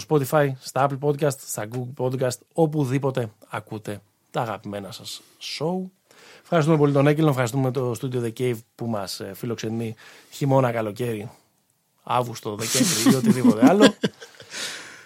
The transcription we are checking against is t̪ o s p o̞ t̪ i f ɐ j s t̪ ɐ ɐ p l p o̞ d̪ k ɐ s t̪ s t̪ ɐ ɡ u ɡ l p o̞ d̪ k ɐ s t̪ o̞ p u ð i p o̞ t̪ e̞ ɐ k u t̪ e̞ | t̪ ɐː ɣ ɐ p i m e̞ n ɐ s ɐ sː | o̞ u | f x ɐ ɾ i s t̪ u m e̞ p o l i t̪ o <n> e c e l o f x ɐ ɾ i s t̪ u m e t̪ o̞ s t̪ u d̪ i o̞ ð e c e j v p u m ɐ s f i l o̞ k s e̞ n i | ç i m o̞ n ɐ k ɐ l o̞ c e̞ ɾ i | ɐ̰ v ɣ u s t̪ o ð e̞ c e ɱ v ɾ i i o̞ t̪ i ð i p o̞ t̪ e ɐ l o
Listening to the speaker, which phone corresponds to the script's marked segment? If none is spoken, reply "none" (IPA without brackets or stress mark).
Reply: n